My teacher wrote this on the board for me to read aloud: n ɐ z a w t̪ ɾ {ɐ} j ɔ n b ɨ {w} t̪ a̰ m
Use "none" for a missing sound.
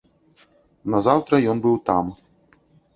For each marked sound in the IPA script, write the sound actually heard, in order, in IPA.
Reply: ɐ, w

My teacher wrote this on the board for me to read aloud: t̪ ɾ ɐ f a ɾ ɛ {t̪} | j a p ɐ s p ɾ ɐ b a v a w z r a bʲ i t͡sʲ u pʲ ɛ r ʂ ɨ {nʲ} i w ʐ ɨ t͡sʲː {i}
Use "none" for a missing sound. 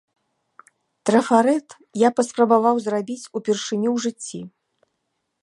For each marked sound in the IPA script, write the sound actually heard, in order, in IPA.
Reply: t̪, nʲ, i

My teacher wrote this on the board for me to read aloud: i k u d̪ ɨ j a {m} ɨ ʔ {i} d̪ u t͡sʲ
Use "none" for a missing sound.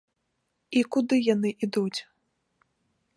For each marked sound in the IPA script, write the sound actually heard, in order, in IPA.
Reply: n, i

